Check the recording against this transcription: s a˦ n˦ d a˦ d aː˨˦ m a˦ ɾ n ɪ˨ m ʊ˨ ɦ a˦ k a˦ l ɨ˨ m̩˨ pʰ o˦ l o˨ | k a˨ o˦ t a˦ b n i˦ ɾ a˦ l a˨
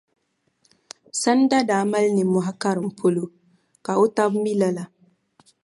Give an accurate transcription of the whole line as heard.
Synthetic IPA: s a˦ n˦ d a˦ d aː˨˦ m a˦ l n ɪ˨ m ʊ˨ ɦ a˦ k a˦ ɾ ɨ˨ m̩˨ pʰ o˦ l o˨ | k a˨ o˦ t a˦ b m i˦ l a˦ l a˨